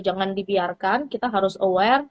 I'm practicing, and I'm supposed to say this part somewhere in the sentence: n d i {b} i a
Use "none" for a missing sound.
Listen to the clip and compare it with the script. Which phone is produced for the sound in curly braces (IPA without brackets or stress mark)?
b